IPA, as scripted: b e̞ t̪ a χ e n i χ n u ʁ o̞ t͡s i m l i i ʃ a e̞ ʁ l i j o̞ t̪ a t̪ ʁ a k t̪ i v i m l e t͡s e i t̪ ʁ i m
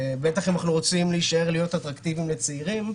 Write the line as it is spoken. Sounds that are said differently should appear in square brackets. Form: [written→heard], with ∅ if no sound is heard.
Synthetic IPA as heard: b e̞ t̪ a χ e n [i→a] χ n u ʁ o̞ t͡s i m l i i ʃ a e̞ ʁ l i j o̞ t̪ a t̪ ʁ a k t̪ i v i m l e t͡s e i [t̪→∅] ʁ i m